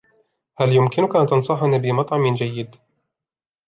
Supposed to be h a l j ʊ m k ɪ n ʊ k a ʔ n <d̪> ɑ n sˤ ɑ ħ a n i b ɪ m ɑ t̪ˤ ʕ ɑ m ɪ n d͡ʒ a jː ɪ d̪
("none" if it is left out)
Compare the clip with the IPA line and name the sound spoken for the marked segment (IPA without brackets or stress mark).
t̪